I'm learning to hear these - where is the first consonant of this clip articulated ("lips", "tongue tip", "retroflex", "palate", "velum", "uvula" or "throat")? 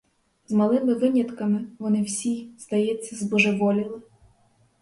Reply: tongue tip